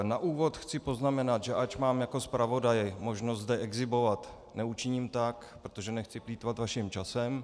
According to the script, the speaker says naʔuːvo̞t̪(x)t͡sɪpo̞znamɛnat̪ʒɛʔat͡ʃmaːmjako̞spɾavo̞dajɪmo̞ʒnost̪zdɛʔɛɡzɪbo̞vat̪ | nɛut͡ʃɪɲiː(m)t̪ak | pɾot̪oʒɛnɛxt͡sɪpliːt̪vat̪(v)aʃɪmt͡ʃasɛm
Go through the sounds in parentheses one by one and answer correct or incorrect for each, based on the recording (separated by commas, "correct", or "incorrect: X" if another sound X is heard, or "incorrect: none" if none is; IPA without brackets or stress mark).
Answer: correct, correct, correct